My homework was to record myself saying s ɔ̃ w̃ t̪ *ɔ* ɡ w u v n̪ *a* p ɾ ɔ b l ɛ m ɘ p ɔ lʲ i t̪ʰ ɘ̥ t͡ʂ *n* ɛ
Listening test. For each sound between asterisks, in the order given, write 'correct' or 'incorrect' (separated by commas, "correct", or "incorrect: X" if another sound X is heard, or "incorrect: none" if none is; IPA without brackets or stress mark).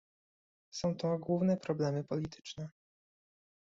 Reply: correct, incorrect: ɛ, correct